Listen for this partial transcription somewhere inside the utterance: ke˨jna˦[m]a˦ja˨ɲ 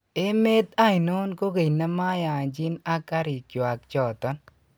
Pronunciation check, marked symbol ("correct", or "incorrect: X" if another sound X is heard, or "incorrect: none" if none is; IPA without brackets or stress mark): correct